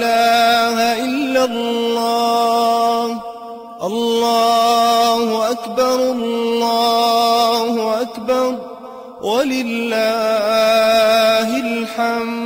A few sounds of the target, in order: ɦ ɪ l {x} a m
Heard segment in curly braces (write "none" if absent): ħ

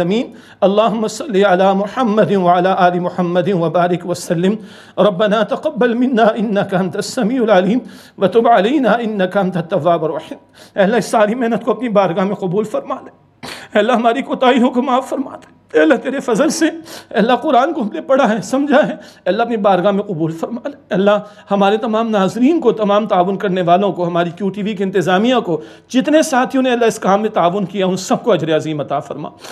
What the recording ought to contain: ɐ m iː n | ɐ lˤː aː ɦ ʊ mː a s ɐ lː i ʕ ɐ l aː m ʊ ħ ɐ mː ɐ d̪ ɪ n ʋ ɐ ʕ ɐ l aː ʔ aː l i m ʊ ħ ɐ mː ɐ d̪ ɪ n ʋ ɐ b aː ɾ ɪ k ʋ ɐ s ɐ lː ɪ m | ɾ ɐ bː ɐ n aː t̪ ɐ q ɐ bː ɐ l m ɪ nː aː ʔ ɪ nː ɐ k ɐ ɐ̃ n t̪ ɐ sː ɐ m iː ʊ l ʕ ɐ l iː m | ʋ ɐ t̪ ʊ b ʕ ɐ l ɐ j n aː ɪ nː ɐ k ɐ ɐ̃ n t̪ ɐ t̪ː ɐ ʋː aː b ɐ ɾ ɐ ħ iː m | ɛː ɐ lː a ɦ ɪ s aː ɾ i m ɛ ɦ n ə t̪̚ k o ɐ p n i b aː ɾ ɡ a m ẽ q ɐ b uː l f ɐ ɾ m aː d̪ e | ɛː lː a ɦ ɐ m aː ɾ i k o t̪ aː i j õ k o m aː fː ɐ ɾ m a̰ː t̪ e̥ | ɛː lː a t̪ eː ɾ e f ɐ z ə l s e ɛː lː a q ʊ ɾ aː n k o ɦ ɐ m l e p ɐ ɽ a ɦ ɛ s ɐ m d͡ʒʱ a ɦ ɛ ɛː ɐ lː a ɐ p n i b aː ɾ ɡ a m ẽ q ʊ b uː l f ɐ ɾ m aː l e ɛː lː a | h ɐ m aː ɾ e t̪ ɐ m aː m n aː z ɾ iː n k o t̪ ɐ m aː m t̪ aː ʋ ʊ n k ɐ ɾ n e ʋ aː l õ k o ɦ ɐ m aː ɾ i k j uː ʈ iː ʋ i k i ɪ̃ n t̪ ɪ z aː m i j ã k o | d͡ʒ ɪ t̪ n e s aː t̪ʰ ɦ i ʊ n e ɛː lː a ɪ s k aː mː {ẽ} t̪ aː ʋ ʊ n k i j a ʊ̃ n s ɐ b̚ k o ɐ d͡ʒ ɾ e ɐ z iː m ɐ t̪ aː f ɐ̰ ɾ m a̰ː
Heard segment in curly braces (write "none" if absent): ẽ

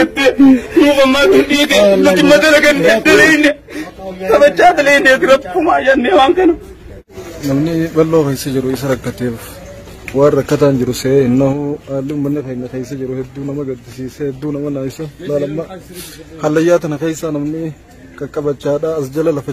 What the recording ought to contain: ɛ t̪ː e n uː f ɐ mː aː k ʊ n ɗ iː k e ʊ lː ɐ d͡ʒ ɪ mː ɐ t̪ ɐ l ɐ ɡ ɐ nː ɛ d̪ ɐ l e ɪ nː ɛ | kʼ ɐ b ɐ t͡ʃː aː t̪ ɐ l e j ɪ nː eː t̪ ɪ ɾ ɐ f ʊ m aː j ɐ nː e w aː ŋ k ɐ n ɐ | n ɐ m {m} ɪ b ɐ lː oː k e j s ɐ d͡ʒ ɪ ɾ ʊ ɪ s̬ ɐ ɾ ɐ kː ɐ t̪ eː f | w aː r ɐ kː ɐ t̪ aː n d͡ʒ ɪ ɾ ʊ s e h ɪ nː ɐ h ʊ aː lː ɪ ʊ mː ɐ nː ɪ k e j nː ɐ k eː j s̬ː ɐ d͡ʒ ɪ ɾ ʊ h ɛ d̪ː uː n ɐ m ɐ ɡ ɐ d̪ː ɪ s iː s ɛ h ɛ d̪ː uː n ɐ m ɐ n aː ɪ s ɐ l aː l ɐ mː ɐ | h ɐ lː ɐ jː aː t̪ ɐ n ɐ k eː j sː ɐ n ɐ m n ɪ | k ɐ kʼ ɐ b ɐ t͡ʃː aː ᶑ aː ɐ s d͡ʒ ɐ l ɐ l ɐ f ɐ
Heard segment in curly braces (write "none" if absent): n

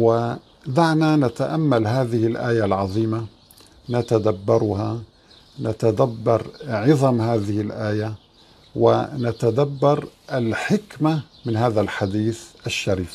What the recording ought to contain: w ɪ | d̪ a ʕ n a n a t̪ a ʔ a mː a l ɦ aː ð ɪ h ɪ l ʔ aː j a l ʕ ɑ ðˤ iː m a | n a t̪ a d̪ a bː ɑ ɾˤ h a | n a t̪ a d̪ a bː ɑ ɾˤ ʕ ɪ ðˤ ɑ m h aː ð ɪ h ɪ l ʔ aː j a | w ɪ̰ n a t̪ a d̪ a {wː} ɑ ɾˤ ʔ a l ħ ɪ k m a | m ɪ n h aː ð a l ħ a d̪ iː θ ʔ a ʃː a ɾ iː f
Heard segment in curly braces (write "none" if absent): bː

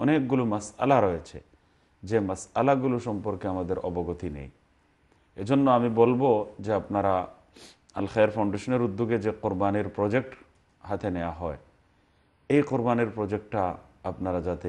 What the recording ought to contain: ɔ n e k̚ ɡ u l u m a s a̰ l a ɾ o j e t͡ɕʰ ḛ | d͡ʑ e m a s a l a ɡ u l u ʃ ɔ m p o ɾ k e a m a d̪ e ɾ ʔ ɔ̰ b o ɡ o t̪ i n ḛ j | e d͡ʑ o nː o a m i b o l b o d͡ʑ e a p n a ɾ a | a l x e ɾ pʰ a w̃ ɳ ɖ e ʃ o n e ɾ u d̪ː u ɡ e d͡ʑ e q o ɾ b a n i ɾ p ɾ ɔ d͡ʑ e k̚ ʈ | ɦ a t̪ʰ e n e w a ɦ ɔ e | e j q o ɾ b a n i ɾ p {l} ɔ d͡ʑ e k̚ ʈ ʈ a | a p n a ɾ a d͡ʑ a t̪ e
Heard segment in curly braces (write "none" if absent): ɾ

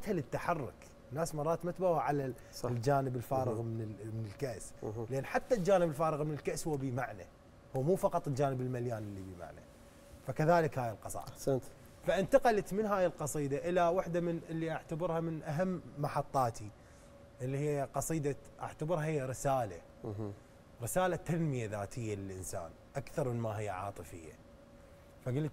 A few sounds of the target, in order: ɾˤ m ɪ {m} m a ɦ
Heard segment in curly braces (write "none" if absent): n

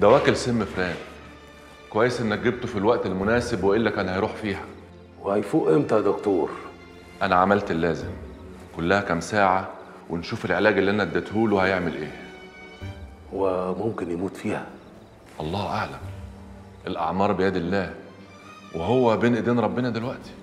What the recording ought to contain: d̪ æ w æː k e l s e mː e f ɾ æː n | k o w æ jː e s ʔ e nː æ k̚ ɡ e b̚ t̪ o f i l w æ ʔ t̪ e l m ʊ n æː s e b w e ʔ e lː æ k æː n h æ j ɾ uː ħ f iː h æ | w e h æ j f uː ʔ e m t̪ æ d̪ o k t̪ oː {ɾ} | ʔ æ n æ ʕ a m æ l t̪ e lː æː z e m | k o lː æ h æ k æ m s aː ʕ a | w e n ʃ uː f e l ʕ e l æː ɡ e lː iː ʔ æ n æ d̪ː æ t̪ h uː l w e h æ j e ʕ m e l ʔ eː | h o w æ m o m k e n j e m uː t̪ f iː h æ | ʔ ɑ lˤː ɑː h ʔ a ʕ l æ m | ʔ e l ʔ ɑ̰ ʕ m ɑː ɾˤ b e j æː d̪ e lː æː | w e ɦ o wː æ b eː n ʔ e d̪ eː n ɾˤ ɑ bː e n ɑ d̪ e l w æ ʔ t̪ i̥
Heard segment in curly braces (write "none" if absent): ɾ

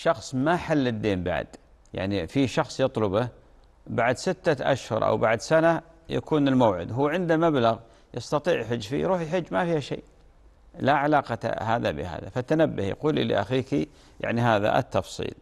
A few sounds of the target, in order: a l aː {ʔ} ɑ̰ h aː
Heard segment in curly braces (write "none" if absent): q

